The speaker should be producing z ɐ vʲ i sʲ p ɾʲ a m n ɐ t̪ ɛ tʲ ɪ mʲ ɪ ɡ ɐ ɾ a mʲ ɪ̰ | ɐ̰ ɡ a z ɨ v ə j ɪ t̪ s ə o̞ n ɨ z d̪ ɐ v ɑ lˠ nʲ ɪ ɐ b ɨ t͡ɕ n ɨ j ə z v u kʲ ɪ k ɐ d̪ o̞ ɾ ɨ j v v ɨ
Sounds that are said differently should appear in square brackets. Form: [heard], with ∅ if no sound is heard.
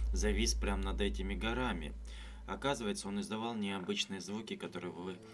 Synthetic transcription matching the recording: z ɐ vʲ i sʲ p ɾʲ a m n ɐ [d̪] ɛ tʲ ɪ mʲ ɪ ɡ ɐ ɾ a mʲ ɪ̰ | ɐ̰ [k] a z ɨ v ə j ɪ t̪ s ə o̞ n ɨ z d̪ ɐ v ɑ lˠ nʲ ɪ ɐ b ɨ t͡ɕ n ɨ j ə z v u kʲ ɪ k ɐ [t̪] o̞ ɾ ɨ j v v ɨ